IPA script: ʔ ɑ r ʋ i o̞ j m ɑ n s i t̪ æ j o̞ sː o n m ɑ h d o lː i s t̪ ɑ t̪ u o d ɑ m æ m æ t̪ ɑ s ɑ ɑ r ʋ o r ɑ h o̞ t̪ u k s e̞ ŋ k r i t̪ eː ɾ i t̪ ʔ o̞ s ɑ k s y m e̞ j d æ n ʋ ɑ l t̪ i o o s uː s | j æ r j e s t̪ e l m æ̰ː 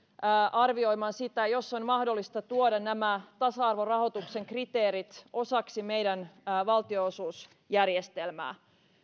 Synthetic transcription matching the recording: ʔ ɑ r ʋ i o̞ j m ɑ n s i t̪ æ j o̞ sː o n m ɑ h d o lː i s t̪ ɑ t̪ u o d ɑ n æ m æ t̪ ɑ s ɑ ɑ r ʋ o r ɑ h o̞ t̪ u k s e̞ ŋ k r i t̪ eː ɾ i t̪ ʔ o̞ s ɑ k s i m e̞ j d æ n ʋ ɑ l t̪ i o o s uː s | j æ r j e s t̪ e l m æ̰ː

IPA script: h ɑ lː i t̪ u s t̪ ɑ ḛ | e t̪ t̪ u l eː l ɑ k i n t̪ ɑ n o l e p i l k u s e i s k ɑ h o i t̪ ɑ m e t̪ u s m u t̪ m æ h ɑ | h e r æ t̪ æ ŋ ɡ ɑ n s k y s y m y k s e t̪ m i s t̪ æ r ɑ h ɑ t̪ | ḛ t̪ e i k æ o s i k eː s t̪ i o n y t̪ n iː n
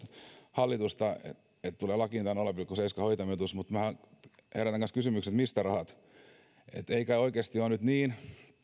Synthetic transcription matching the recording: h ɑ lː i t̪ u s t̪ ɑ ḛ | e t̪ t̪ u l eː l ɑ k i n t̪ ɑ n o l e p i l k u s e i s k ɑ h o i t̪ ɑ m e t̪ u s m u t̪ m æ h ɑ | h e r æ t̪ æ ŋ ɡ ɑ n s k y s y m y k s e t̪ m i s t̪ æ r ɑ h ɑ t̪ | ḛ t̪ e i k æ o i k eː s t̪ i o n y t̪ n iː n

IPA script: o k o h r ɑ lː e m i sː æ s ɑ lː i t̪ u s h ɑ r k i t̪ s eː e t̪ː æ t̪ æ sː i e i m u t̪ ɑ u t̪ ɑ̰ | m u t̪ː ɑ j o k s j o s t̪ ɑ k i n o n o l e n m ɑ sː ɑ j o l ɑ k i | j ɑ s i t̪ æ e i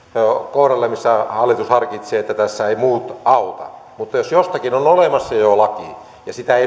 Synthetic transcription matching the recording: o k o h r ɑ lː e m i sː æ h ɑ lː i t̪ u s h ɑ r k i t̪ s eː e t̪ː æ t̪ æ sː æ e i m uː t̪ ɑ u t̪ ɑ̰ | m u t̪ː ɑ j o s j o s t̪ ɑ k i n o n o l e m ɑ sː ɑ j o l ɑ k i | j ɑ s i t̪ æ e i

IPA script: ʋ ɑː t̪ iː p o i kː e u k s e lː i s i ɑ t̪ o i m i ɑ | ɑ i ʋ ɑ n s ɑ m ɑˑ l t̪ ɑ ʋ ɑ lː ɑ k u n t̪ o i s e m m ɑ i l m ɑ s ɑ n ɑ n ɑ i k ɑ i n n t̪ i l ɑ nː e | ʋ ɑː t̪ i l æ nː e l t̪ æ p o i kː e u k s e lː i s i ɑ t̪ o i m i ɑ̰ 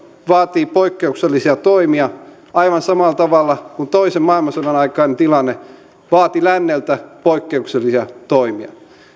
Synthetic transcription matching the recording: ʋ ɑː t̪ iː p o i kː e u k s e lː i s i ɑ t̪ o i m i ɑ | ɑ i ʋ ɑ n s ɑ m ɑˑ l t̪ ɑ ʋ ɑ lː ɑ k u n t̪ o i s e m m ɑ i l m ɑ s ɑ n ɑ n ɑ i k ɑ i n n t̪ i l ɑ nː e | ʋ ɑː t̪ i l æ nː e l t̪ æ p o i kː e u k s e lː i s i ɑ t̪ o i m i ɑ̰

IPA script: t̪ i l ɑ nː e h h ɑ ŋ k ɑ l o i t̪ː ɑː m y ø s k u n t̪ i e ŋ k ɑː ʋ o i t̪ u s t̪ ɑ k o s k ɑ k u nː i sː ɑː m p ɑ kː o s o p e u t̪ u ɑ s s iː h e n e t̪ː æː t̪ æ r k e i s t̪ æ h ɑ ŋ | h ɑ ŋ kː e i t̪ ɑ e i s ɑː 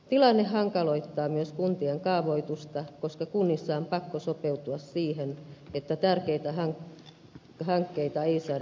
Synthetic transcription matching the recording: t̪ i l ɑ nː e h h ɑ ŋ k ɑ l o i t̪ː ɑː m y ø s k u n t̪ i e ŋ k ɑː ʋ o i t̪ u s t̪ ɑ k o s k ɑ k u nː i sː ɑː m p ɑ kː o s o p e u t̪ u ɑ s s iː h e n e t̪ː æ t̪ æ r k e i t̪ æ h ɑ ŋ | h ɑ ŋ kː e i t̪ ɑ e i s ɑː

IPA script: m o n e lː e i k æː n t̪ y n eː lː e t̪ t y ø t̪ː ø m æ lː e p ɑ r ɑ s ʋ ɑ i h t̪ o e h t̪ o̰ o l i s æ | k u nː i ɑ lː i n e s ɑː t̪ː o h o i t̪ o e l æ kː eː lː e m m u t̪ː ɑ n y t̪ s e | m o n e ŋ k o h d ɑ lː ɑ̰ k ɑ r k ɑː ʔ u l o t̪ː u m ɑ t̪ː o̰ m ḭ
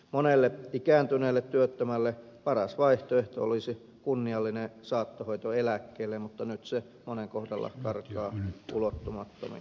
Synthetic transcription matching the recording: m o n e lː e i k æː n t̪ y n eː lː e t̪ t y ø t̪ː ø m æ lː e p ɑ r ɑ s ʋ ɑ i h t̪ o e h t̪ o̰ o l i s i | k u nː i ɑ lː i n e s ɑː t̪ː o h o i t̪ o e l æ kː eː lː e m m u t̪ː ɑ n y t̪ s e | m o n e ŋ k o h d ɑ lː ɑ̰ k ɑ r k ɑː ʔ u l o t̪ː u m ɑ t̪ː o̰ m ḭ

